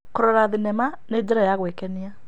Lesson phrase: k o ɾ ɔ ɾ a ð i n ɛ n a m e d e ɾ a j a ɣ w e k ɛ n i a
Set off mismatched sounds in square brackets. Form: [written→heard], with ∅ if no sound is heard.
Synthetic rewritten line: k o ɾ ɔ ɾ a ð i n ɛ [n→m] a [m→n] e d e ɾ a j a ɣ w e k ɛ n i a

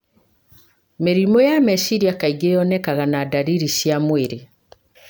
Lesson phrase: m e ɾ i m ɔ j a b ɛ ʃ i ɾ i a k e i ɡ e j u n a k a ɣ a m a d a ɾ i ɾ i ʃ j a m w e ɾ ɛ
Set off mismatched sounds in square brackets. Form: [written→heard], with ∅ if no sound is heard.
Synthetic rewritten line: m e ɾ i m ɔ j a [b→m] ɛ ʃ i ɾ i a k [e→a] i ɡ e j [u→ɔ] n [a→ɛ] k a ɣ a [m→n] a d a ɾ i ɾ i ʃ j a m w e ɾ [ɛ→e]

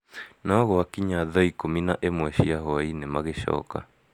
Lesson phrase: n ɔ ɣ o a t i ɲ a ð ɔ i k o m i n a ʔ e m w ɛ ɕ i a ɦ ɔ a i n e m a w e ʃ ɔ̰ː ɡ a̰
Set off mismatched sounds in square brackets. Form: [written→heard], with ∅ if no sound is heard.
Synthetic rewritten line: n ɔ ɣ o a [t→k] i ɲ a ð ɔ i k o m i n a ʔ e m w ɛ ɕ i a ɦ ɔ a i n e m a [w→ɣ] e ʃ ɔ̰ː [ɡ→k] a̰

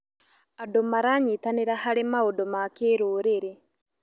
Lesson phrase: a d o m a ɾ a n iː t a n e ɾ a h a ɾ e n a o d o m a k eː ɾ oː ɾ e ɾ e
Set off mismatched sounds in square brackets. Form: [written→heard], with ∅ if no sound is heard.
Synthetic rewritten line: a d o m a ɾ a [n→ɲ] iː t a n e ɾ a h a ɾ e [n→m] a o d o m a k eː ɾ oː ɾ e ɾ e

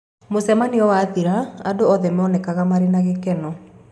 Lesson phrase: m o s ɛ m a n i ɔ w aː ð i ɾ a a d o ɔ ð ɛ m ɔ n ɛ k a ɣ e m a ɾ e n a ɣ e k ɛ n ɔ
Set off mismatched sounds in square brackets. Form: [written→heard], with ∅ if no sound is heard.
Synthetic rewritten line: m o s ɛ m a n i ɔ w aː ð i ɾ a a d o ɔ ð ɛ m ɔ n ɛ k a ɣ [e→a] m a ɾ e n a ɣ e k ɛ n ɔ

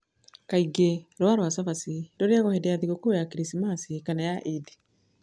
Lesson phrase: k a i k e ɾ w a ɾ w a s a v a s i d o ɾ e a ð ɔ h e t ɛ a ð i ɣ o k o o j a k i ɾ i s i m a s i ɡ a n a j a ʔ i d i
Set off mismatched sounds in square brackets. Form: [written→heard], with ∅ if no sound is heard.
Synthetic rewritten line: k a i [k→ɡ] e ɾ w a ɾ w a s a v a s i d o ɾ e a [ð→ɣ] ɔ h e [t→d] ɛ a ð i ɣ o k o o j a k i ɾ i s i m a s i [ɡ→k] a n a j a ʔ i d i

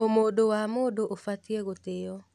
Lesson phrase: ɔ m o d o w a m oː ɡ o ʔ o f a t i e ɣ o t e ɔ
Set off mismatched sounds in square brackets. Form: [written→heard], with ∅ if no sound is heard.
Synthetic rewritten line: [ɔ→o] m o d o w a m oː [ɡ→d] o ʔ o f a t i e ɣ o t e ɔ

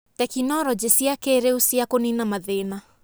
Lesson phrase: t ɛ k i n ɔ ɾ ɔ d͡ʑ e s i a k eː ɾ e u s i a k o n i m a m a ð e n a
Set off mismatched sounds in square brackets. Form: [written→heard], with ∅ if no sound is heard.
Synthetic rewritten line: t ɛ k i n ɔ ɾ ɔ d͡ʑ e s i a k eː ɾ e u s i a k o n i [m→n] a m a ð e n a

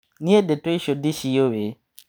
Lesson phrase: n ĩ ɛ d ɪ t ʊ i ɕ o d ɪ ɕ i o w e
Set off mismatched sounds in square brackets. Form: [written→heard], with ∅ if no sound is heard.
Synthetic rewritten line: n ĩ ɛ d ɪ t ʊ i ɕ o d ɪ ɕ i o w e

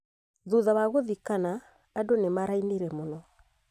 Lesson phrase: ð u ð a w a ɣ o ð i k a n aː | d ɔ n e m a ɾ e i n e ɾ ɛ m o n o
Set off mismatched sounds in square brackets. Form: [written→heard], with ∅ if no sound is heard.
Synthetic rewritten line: ð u ð a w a ɣ o ð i k a n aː | d [ɔ→o] n e m a ɾ [e→a] i n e ɾ ɛ m o n [o→ɔ]

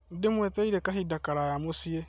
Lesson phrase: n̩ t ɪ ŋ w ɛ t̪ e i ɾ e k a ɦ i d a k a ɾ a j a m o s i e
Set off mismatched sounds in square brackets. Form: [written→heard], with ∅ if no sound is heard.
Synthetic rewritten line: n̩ [t→d] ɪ [ŋ→m] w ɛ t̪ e i ɾ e k a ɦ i d a k a ɾ a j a m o s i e

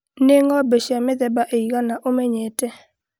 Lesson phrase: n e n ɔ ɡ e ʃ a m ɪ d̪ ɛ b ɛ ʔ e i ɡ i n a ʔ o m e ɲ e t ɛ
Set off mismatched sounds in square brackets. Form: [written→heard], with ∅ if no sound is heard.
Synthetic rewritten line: n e [n→ŋ] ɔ [ɡ→b] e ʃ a m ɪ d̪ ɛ b [ɛ→a] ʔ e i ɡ [i→a] n a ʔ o m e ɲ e t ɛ

